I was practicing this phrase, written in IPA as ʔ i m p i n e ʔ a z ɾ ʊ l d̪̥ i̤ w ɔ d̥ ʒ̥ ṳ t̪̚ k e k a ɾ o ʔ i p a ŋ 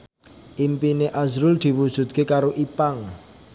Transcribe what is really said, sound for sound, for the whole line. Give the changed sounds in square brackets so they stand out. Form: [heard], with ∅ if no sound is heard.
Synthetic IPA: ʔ i m p i n e ʔ a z ɾ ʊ l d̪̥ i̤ w [u] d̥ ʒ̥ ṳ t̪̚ k e k a ɾ o ʔ i p a ŋ

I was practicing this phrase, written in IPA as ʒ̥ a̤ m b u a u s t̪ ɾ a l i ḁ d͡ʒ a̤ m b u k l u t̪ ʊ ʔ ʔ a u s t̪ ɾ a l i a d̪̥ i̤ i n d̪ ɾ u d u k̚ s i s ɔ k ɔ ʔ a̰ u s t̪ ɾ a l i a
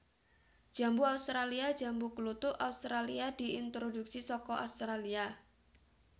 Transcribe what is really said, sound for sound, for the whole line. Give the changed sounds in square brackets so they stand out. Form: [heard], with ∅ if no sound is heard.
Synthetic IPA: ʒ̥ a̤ m b u a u s t̪ ɾ a l i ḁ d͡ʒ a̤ m b u k l u t̪ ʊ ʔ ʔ a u s t̪ ɾ a l i a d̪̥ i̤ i n [t̪] ɾ [o] d u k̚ s i s ɔ k ɔ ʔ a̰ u s t̪ ɾ a l i a

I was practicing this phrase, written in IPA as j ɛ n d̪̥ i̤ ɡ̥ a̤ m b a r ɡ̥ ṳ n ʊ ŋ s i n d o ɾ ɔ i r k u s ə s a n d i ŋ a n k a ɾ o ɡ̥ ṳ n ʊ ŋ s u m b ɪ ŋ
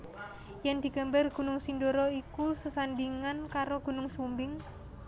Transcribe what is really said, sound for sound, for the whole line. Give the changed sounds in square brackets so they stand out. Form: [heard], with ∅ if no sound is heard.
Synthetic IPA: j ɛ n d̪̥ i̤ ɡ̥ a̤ m b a r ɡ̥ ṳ n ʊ ŋ s i n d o ɾ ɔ i [∅] k u s ə s a n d i ŋ a n k a ɾ o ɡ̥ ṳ n ʊ ŋ s u m b ɪ ŋ

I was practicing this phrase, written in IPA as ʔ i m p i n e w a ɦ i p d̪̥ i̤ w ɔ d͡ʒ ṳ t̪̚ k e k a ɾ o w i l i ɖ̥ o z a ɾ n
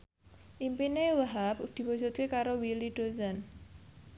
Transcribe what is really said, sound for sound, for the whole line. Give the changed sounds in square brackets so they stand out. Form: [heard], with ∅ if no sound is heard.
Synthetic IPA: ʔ i m p i n e w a ɦ [a] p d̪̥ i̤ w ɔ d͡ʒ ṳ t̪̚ k e k a ɾ o w i l i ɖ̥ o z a [∅] n

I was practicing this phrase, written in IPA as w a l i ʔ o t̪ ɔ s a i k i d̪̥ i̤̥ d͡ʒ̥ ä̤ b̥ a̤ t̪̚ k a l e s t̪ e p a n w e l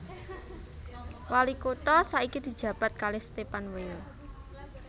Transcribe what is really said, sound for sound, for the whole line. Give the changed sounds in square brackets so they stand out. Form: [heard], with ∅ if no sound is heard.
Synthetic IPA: w a l i [k] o t̪ ɔ s a i k i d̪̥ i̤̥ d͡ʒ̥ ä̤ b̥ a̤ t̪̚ k a l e s t̪ e p a n w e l

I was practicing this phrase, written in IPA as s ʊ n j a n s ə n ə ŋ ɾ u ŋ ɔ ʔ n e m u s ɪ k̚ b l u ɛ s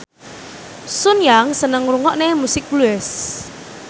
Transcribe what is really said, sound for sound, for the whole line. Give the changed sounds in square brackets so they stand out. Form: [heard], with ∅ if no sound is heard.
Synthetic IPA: s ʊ n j a [ŋ] s ə n ə ŋ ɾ u ŋ ɔ ʔ n e m u s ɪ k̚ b l u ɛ s

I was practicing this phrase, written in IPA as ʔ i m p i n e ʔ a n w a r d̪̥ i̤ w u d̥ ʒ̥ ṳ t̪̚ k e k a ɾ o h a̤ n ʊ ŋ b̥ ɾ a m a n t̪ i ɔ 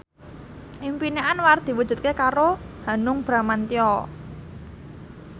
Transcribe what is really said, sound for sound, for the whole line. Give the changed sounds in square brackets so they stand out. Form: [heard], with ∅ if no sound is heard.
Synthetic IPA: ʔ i m p i n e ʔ a n w a r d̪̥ i̤ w u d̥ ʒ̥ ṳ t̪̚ k e k a ɾ o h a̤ n ʊ ŋ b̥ ɾ a m a n t̪ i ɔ

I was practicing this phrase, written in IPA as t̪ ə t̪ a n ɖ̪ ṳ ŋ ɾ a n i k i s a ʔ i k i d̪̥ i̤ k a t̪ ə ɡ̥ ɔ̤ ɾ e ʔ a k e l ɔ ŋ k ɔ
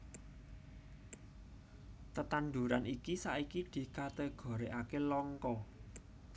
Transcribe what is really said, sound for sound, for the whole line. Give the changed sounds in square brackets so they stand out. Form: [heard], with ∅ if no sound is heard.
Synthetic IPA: t̪ ə t̪ a n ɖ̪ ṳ [∅] ɾ a n i k i s a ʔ i k i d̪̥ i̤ k a t̪ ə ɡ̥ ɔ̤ ɾ e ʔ a k e l ɔ ŋ k ɔ

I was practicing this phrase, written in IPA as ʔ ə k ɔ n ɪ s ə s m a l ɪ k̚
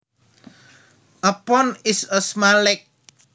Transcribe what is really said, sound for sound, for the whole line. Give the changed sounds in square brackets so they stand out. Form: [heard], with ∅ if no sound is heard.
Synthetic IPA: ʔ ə [p] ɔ n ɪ s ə s m a l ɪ k̚

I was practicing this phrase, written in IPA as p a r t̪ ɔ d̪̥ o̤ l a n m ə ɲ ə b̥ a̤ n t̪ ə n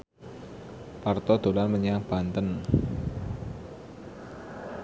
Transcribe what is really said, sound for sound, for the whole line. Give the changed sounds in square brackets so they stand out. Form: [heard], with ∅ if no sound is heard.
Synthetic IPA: p a r t̪ ɔ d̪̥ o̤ l a n m ə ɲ [a] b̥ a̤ n t̪ ə n

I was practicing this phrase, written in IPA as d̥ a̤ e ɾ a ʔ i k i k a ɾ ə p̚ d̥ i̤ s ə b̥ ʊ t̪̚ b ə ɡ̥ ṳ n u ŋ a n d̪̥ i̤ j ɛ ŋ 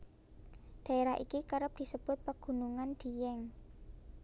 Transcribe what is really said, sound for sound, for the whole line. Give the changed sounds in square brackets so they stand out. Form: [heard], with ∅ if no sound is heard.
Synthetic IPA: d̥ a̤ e ɾ a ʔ i k i k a ɾ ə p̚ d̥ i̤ s ə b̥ ʊ t̪̚ [p] ə ɡ̥ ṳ n u ŋ a n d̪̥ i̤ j ɛ ŋ

